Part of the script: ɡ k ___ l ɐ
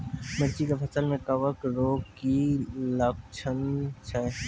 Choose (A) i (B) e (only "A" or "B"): A